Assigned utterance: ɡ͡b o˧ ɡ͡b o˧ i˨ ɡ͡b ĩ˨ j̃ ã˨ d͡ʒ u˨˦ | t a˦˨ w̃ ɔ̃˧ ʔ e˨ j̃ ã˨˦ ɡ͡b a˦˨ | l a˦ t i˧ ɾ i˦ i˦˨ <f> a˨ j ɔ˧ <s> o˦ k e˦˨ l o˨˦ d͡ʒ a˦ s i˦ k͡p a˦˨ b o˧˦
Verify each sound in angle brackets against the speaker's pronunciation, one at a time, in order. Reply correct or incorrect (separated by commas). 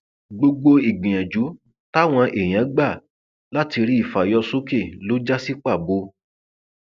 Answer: correct, correct